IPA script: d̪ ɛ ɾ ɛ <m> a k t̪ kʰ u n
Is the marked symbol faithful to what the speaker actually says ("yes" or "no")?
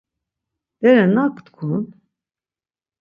no